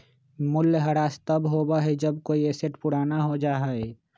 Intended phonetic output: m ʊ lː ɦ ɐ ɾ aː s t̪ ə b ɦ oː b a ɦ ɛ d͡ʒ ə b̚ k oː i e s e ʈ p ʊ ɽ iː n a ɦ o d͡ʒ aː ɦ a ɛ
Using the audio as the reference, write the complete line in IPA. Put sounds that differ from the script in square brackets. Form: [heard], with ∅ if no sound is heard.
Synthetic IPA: m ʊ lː ɦ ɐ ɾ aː s t̪ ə b ɦ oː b a ɦ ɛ d͡ʒ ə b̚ k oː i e s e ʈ p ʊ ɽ [aː] n a ɦ o d͡ʒ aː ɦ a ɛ